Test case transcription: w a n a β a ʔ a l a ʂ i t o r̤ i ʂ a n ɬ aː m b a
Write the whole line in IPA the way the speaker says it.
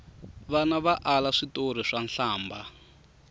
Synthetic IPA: β a n a β a ʔ a l a ʂ i t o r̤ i ʂ a n ɬ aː m b a